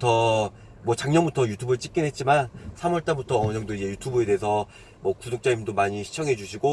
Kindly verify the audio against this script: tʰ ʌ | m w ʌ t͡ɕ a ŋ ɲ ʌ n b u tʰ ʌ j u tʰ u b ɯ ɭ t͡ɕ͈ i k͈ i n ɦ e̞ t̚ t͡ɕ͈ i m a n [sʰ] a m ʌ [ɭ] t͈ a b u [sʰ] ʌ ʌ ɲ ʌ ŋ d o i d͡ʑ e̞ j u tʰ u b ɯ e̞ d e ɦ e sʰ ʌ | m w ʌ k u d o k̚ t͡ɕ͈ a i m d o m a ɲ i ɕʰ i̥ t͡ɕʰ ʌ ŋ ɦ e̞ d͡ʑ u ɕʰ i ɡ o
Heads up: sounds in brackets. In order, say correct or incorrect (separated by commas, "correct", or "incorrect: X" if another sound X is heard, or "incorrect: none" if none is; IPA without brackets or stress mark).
correct, correct, incorrect: tʰ